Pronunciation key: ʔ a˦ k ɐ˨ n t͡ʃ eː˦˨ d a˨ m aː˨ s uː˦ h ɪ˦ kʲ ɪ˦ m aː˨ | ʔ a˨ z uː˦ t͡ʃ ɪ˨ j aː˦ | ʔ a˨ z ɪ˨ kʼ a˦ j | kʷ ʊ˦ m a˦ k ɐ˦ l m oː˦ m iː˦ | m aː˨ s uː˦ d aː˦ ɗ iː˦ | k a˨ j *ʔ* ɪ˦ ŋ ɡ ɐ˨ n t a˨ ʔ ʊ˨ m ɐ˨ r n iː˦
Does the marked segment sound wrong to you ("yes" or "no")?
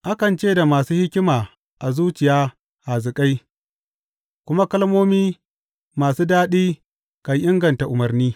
no